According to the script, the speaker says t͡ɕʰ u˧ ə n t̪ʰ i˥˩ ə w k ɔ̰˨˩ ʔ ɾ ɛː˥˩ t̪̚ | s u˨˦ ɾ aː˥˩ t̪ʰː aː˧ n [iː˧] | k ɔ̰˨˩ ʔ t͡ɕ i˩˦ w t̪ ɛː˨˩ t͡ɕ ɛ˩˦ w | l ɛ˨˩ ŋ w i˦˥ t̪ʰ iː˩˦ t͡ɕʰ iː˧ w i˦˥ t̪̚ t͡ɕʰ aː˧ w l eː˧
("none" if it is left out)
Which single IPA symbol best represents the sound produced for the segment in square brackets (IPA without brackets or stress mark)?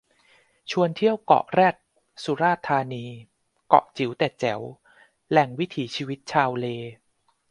iː˧